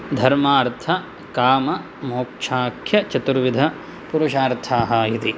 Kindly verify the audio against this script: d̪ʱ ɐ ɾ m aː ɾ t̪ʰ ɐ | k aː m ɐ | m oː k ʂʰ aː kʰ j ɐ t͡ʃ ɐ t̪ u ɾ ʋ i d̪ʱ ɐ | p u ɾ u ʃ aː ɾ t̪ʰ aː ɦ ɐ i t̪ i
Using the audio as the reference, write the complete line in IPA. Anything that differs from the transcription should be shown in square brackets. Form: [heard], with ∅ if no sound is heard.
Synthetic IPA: d̪ʱ ɐ ɾ m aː ɾ t̪ʰ ɐ | k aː m ɐ | m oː k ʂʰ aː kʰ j ɐ t͡ʃ ɐ t̪ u ɾ ʋ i d̪ʱ ɐ | p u ɾ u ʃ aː ɾ t̪ʰ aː ɦ ɐ i t̪ i